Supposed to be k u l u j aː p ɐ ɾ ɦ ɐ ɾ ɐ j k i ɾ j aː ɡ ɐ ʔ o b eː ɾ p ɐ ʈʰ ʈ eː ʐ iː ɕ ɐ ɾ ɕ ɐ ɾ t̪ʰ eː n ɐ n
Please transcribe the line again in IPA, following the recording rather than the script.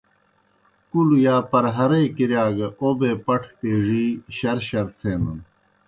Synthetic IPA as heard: k u l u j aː p ɐ ɾ ɦ ɐ ɾ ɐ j k i ɾ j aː ɡ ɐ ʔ o b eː p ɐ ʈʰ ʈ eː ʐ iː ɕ ɐ ɾ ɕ ɐ ɾ t̪ʰ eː n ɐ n